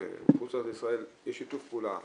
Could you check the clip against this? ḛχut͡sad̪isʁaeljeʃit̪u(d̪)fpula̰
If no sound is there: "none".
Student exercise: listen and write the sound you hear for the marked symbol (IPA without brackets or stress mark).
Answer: none